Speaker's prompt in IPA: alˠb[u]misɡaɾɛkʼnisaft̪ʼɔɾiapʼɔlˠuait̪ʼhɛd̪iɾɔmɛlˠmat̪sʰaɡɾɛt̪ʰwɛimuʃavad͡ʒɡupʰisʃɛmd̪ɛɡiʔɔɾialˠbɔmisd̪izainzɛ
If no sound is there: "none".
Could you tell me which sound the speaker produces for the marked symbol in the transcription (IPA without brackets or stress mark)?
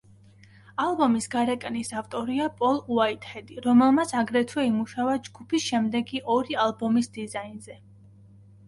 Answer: ɔ